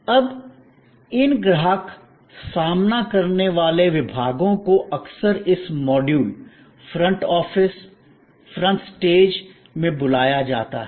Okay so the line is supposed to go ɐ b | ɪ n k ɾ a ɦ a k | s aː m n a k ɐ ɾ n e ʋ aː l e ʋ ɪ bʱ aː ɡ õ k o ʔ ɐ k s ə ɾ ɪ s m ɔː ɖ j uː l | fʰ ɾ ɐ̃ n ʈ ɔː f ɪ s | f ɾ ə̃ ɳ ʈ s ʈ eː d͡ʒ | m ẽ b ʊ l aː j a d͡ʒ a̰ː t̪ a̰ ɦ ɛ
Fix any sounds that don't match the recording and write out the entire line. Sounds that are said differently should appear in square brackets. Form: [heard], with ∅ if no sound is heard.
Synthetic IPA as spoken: ɐ b | ɪ n [ɡ] ɾ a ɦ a k | s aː m n a k ɐ ɾ n e ʋ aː l e ʋ ɪ bʱ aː ɡ õ k o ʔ ɐ k s ə ɾ ɪ s m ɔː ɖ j uː l | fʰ ɾ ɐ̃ [ɳ] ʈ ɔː f ɪ s | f ɾ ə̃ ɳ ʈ s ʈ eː d͡ʒ | m ẽ b ʊ l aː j a d͡ʒ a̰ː t̪ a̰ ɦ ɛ